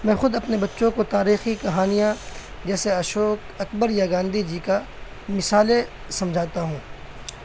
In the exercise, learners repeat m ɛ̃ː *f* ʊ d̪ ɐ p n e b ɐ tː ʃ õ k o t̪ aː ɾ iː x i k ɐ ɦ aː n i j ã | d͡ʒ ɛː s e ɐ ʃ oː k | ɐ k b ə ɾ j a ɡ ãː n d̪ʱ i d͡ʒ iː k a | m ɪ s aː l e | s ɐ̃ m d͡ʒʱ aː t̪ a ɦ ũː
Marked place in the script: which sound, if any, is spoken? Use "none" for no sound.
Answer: x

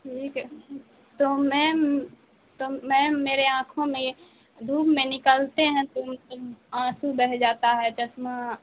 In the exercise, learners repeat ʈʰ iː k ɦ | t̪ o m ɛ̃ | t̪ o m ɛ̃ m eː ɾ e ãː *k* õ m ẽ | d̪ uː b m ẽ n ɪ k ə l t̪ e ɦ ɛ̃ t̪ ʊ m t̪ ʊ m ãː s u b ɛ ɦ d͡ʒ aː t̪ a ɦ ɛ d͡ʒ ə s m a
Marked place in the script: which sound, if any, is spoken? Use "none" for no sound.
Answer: kʰ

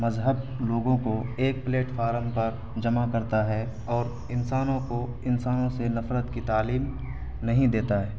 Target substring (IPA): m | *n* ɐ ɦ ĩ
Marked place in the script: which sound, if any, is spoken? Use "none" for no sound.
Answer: n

